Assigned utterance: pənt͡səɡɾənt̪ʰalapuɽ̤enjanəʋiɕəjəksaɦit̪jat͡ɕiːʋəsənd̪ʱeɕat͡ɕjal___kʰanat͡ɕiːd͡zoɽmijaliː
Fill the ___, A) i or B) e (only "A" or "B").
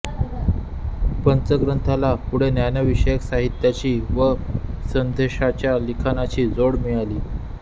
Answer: A